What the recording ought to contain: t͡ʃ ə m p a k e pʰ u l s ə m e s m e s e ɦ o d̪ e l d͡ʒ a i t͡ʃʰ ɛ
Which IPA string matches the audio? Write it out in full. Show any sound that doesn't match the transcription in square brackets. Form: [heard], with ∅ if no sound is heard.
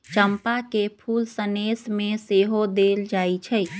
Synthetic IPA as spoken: t͡ʃ ə m p a k e pʰ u l s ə [n] e s m e s e ɦ o d̪ e l d͡ʒ a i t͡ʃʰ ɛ